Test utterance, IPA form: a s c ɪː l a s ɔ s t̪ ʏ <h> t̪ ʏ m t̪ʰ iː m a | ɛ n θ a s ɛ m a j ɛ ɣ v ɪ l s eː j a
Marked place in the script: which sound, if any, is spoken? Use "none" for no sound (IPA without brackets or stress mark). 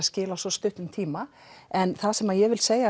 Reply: h